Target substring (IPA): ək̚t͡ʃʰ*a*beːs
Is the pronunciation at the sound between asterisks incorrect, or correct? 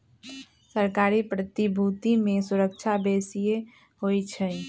correct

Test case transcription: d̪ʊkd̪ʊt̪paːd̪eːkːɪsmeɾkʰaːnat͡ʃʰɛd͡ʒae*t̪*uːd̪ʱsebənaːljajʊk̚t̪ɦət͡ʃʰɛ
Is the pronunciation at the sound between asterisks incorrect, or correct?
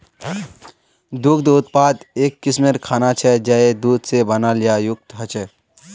incorrect: d̪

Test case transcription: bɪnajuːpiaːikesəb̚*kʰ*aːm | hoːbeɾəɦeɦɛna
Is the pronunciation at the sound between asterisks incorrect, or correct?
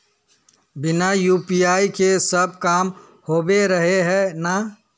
incorrect: k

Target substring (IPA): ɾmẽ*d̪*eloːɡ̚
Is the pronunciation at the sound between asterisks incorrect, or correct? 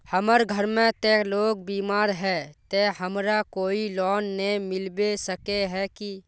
incorrect: t̪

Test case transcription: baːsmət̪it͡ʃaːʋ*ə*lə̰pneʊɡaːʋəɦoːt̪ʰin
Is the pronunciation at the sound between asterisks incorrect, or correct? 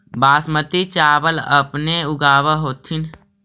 correct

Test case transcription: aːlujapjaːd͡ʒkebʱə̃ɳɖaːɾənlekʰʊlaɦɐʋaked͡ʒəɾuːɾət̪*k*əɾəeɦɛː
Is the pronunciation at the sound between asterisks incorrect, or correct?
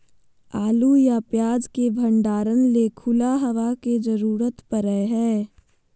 incorrect: p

